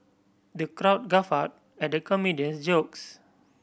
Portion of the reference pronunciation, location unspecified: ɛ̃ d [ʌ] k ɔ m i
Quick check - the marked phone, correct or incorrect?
incorrect